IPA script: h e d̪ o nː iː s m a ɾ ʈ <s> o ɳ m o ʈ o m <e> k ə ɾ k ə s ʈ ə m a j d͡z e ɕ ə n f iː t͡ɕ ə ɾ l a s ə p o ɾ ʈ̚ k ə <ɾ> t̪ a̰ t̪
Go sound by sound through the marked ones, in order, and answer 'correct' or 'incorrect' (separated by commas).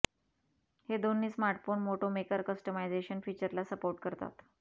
incorrect, correct, correct